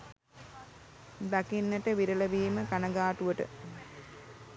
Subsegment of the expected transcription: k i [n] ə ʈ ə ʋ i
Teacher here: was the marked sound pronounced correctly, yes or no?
no